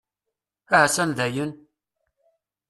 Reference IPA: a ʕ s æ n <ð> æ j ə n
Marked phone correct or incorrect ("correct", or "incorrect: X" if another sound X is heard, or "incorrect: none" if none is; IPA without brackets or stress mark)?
correct